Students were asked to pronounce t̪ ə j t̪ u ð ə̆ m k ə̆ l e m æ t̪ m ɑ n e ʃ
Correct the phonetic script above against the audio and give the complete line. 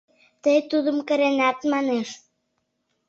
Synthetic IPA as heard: t̪ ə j t̪ u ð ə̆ m k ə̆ ɾ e n æ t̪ m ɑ n e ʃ